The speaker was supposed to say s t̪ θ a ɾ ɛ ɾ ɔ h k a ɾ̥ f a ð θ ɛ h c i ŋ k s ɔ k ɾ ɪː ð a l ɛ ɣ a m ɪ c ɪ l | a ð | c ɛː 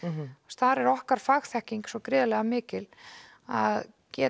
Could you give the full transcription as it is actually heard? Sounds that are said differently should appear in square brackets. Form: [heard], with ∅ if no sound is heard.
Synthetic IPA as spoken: s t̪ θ a ɾ ɛ ɾ ɔ h k a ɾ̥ f a [ɣ] θ ɛ h c i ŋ k s ɔ k ɾ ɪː ð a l ɛ ɣ a m [ɪː] c ɪ l | a ð | c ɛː